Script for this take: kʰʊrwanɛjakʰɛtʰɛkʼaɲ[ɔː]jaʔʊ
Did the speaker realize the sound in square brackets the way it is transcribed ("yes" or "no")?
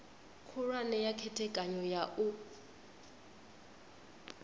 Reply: no